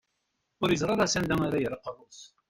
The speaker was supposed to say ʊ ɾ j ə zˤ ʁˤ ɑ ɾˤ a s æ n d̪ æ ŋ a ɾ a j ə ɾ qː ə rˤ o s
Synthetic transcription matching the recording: ʊ ɾ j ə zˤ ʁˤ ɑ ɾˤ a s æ n d̪ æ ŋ a ɾ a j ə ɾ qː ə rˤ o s